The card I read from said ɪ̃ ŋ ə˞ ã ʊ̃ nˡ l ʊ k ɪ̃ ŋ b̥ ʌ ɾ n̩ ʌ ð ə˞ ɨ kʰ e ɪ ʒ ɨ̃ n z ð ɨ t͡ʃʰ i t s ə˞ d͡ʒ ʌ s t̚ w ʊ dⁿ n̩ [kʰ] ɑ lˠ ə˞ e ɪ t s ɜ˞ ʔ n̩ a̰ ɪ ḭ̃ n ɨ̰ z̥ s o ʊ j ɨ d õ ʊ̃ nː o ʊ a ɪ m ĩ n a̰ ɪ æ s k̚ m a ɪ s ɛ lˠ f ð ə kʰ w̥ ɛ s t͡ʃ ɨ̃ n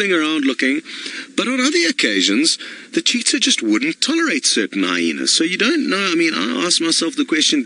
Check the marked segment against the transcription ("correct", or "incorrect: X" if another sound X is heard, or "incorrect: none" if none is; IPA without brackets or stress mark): incorrect: tʰ